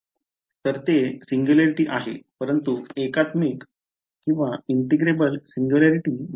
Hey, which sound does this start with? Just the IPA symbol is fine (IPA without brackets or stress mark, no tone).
t̪